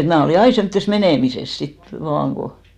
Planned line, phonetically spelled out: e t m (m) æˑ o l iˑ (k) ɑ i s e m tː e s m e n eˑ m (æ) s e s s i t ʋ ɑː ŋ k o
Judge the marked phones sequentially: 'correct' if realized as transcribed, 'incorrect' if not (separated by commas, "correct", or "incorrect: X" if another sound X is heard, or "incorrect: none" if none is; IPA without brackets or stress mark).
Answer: incorrect: n, incorrect: none, incorrect: i